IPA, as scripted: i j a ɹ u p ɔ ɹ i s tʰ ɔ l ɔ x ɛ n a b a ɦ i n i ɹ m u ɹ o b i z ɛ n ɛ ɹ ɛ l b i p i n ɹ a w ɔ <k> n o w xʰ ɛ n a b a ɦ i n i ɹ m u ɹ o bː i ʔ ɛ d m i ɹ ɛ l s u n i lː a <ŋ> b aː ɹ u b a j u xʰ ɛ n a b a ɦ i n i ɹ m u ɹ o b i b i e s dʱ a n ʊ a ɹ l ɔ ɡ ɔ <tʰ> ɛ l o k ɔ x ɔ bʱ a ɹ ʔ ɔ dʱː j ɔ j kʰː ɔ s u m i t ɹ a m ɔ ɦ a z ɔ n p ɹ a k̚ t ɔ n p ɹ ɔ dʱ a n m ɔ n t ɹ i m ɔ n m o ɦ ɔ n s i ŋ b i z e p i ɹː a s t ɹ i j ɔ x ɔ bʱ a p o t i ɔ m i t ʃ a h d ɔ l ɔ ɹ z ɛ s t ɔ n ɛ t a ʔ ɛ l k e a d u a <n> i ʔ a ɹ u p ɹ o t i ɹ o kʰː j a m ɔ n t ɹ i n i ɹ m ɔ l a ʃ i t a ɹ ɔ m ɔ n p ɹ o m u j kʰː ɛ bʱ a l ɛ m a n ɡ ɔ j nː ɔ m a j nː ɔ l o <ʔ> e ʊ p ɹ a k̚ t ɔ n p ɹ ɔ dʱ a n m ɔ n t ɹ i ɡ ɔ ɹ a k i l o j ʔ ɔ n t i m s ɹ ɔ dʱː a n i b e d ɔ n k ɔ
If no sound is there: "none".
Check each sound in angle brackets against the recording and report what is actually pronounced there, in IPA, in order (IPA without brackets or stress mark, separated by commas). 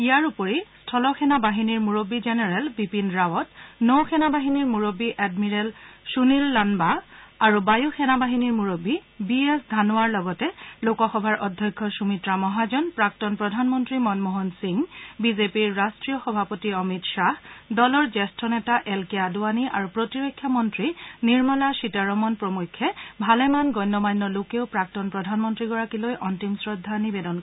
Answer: t, n, t, n, k